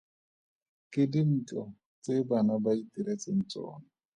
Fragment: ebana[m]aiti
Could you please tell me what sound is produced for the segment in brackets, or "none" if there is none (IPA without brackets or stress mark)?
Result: b